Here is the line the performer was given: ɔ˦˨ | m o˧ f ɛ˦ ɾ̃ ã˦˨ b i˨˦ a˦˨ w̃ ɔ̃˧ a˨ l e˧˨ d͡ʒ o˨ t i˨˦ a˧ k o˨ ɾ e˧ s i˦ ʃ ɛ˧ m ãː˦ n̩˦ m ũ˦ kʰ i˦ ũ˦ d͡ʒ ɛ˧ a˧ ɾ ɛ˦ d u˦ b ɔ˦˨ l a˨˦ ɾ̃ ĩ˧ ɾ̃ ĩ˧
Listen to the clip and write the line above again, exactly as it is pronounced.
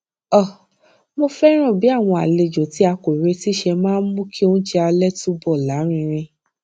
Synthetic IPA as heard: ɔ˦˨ | m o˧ f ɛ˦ ɾ̃ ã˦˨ b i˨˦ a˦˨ w̃ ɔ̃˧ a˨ l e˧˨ d͡ʒ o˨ t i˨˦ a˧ k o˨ ɾ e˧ t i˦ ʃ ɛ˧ m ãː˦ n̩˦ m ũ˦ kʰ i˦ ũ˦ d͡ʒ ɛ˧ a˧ l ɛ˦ t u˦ b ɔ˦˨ l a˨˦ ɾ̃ ĩ˧ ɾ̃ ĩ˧